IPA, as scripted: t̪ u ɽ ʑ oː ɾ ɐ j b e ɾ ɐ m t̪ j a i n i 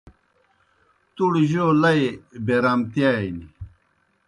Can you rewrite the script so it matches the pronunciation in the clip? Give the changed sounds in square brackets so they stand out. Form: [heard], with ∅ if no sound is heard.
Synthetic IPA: t̪ u ɽ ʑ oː [l] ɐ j b e ɾ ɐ m t̪ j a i n i

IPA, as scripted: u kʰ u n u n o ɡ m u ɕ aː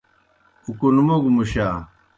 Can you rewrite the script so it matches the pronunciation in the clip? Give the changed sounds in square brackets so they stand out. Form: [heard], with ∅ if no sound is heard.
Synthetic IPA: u [k] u n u [m] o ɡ m u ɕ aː

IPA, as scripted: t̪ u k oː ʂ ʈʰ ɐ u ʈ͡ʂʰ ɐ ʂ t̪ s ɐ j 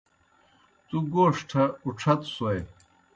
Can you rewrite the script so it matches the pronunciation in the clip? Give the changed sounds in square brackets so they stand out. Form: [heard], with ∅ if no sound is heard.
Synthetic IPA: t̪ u [ɡ] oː ʂ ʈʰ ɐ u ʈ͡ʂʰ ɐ [∅] t̪ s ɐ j

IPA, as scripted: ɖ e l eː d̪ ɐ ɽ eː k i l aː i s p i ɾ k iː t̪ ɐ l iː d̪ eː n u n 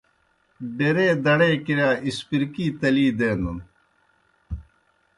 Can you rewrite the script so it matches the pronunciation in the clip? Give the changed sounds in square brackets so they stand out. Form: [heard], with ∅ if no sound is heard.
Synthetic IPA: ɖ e [ɾ] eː d̪ ɐ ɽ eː k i [ɾ] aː i s p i ɾ k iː t̪ ɐ l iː d̪ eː n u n

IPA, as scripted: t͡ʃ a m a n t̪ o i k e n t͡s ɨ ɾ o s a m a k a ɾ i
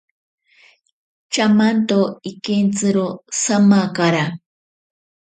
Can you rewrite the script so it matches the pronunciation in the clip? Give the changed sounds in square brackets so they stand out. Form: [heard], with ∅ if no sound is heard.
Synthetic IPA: t͡ʃ a m a n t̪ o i k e n t͡s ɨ ɾ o s a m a k a ɾ [a]

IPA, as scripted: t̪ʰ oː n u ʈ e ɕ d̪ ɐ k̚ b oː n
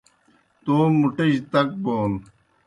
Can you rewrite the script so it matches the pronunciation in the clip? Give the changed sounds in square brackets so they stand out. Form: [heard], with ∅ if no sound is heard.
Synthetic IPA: [t̪] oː [m] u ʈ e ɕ [t̪] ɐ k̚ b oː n

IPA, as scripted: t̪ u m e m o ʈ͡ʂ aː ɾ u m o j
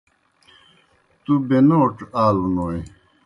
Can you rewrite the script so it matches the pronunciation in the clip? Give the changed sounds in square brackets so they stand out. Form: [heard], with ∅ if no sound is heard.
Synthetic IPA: t̪ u [b] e [n] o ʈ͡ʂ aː [l] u [n] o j

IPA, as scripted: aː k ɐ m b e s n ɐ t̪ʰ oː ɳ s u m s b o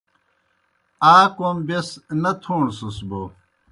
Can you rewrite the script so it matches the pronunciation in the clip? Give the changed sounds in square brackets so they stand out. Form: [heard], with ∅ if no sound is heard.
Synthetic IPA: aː k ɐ m b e s n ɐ t̪ʰ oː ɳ s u [∅] s b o

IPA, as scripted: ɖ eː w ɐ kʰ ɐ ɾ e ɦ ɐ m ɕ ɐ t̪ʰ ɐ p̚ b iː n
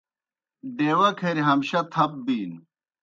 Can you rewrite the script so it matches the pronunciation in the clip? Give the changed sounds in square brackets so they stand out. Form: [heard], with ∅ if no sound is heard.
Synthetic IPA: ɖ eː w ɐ kʰ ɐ ɾ [i] ɦ ɐ m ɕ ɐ t̪ʰ ɐ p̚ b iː n

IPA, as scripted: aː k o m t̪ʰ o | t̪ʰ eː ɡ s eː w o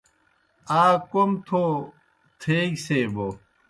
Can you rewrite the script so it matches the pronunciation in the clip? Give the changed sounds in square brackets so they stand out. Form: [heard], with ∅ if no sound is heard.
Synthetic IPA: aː k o m t̪ʰ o | t̪ʰ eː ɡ s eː [b] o

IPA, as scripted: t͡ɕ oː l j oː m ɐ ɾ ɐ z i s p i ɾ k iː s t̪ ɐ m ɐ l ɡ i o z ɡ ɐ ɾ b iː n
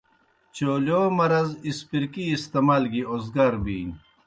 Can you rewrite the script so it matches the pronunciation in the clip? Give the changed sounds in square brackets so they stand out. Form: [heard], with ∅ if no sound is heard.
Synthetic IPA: t͡ɕ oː l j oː m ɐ ɾ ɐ z i s p i ɾ k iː s t̪ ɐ m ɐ l ɡ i o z ɡ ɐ ɾ b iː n

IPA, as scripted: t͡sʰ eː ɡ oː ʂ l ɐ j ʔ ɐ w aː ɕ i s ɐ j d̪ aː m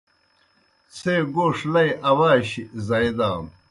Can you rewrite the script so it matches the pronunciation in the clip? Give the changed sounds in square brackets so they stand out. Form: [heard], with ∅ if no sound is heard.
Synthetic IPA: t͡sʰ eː ɡ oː ʂ l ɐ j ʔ ɐ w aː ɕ i [z] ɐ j d̪ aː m

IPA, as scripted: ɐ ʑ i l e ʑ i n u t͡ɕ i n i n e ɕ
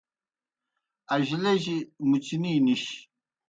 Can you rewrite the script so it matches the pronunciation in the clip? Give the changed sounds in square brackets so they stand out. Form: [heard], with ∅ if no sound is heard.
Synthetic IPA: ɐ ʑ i l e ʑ i [m] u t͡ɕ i n i n [i] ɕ

